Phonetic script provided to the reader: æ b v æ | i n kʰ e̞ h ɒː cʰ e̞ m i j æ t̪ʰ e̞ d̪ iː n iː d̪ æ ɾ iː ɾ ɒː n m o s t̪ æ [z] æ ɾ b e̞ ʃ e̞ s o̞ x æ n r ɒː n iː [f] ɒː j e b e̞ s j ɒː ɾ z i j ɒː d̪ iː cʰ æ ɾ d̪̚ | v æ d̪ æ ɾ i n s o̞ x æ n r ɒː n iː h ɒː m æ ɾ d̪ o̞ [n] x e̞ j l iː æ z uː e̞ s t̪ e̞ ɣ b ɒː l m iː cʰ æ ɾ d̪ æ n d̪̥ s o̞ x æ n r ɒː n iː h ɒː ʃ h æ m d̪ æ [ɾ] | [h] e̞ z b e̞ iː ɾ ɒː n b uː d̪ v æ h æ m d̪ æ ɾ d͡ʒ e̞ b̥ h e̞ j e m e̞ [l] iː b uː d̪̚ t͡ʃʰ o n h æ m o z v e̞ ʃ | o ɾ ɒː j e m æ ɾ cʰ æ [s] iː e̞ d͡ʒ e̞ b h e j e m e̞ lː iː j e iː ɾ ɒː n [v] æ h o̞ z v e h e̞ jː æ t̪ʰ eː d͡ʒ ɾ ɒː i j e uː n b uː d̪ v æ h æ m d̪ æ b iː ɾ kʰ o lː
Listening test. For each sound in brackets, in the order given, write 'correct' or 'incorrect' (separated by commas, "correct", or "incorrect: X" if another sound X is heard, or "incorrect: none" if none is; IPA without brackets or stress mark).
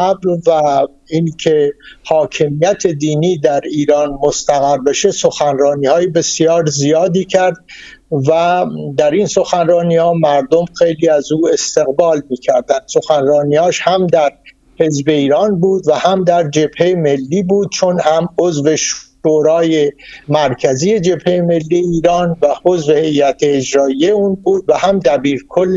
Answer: incorrect: ɣ, incorrect: h, incorrect: m, correct, correct, incorrect: lː, incorrect: z, correct